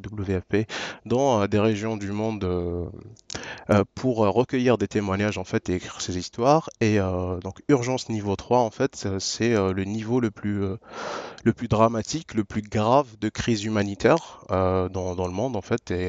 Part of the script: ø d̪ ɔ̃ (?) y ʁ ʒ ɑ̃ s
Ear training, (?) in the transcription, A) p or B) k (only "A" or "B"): B